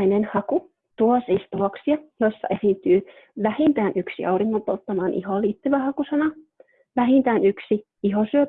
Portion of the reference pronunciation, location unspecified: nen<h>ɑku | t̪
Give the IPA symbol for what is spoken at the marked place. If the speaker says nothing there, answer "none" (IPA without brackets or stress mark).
h